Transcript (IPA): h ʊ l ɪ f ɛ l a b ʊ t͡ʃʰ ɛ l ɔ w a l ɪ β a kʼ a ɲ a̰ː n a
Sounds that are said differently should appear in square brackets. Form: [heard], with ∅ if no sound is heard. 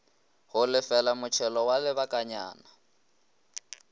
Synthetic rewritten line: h ʊ l ɪ f ɛ l a [m] ʊ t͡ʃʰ ɛ l ɔ w a l ɪ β a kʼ a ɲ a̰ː n a